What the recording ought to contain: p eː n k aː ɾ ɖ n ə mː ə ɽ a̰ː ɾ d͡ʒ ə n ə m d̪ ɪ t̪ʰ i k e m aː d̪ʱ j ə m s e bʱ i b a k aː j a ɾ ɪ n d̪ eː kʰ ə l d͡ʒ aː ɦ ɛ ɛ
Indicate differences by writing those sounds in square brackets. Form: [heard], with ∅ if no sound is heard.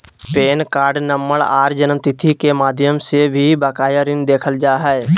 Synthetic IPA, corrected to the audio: p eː n k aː ɾ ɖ n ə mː ə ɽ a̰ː ɾ d͡ʒ ə n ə m [t̪] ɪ t̪ʰ i k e m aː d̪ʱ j ə m s e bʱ i b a k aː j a ɾ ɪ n d̪ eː kʰ ə l d͡ʒ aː ɦ ɛ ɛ